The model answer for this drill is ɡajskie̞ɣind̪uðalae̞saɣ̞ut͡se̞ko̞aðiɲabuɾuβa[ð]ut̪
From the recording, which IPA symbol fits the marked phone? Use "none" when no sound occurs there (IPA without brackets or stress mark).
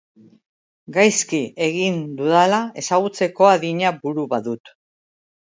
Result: ð